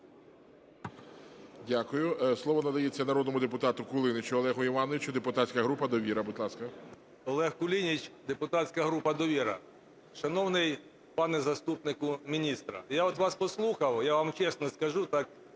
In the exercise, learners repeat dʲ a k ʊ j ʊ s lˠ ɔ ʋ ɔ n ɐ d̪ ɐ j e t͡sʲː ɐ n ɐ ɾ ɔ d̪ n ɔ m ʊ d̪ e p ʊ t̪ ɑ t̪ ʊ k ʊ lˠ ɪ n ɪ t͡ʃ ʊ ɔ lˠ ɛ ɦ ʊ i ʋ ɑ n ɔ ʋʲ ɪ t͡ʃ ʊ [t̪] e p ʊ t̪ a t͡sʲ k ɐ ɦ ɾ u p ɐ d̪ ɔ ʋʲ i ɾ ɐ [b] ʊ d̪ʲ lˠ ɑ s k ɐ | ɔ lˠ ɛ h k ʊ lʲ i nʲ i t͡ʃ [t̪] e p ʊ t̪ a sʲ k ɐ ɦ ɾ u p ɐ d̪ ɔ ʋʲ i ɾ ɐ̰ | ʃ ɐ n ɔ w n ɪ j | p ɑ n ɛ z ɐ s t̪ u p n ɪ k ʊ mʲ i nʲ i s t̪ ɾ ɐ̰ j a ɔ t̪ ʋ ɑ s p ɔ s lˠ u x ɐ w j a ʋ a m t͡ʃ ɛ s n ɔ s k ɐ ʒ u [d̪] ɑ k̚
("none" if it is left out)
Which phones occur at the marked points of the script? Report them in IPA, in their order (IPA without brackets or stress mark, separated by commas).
d̪, b, d̪, t̪